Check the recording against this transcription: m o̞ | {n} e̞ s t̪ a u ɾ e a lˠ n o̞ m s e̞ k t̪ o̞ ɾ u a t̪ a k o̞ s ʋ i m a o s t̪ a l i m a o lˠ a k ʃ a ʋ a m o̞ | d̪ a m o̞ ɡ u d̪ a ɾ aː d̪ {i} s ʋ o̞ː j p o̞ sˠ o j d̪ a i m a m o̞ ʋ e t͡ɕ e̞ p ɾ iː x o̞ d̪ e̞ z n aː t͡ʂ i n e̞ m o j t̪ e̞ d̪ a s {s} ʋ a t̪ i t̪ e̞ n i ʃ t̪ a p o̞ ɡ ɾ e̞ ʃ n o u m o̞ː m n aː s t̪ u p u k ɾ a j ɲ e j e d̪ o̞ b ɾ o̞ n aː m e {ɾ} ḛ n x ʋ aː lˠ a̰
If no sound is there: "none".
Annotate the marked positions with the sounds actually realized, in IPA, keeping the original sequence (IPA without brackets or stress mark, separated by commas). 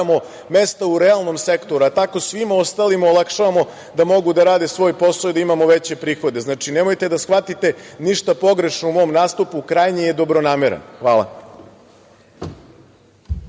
m, e, x, ɾ